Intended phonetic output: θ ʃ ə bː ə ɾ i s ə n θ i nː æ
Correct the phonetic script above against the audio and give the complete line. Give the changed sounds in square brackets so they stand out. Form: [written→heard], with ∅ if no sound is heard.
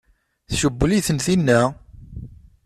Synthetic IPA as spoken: θ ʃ ə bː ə [ɾ→l] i [s→θ] ə n θ i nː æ